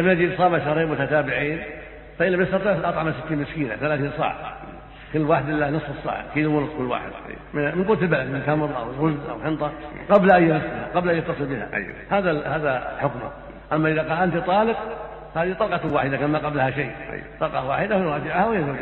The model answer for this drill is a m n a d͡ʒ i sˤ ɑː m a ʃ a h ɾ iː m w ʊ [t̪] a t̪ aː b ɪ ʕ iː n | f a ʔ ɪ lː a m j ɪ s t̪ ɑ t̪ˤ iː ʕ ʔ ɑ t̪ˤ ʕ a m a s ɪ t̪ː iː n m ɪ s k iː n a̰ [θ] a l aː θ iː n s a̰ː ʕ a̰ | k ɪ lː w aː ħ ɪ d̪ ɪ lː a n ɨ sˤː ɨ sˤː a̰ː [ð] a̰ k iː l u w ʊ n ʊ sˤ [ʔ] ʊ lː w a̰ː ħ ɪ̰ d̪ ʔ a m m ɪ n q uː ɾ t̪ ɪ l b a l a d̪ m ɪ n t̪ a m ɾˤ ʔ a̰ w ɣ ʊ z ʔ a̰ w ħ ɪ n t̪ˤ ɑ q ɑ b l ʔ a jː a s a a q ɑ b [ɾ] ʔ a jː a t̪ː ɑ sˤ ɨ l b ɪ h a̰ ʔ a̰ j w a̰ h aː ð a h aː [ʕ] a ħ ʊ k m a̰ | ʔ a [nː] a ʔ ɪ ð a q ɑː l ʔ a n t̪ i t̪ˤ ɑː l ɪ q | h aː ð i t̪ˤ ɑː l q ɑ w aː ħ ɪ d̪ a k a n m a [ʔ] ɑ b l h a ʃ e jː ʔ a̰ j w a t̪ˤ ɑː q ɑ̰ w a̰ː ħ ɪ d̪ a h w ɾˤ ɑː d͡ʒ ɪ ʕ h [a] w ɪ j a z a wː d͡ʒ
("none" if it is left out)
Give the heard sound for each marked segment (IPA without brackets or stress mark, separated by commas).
t̪, θ, ʕ, k, l, ð, mː, q, a